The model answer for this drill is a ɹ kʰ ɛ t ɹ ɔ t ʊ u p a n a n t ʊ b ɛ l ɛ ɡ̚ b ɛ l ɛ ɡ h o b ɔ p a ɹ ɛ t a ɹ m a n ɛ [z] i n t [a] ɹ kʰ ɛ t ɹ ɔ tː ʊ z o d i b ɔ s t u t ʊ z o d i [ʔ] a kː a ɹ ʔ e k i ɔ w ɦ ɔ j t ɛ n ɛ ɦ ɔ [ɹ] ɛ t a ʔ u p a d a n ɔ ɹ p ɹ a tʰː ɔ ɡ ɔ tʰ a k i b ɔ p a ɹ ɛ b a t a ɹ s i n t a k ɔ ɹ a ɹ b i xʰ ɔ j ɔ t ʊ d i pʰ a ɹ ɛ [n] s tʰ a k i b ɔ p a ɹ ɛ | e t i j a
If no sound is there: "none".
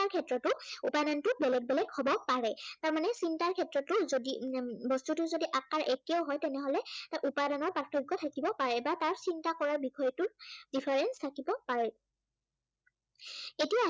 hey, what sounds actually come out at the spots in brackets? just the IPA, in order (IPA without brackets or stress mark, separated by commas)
s, a, ʔ, l, n